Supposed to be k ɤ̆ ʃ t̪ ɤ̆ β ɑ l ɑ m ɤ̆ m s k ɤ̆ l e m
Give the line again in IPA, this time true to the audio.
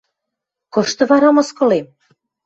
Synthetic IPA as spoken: k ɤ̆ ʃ t̪ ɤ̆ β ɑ ɾ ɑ m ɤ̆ s k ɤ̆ l e m

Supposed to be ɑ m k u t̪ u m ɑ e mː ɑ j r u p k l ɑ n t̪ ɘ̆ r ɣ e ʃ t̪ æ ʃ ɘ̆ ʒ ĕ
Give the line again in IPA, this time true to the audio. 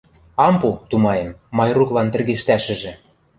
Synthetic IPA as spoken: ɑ m p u t̪ u m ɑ e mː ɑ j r u k l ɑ n t̪ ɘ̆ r ɣ e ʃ t̪ æ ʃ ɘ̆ ʒ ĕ

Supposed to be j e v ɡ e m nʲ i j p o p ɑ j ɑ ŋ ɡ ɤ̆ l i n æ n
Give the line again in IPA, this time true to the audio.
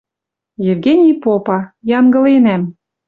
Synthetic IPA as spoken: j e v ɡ e nʲ i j p o p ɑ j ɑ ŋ ɡ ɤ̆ l e n æ m

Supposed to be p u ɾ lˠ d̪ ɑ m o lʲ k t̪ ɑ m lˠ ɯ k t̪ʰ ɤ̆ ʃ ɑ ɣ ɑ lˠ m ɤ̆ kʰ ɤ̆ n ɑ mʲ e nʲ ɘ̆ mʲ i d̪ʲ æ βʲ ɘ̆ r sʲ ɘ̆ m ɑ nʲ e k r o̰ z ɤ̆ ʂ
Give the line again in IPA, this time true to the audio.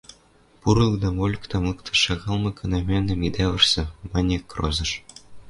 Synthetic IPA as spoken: p u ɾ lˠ d̪ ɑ m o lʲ k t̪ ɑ m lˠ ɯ k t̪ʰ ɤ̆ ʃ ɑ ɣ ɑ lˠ m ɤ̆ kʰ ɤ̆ n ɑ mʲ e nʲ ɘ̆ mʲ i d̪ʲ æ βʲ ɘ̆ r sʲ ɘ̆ m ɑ nʲ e k r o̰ z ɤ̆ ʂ

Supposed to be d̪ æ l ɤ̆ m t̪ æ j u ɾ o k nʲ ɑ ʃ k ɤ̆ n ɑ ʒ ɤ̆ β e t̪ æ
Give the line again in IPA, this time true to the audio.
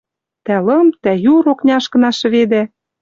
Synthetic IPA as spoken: t̪ æ l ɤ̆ m t̪ æ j u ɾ o k nʲ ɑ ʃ k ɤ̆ n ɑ ʃ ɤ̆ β e d̪ æ

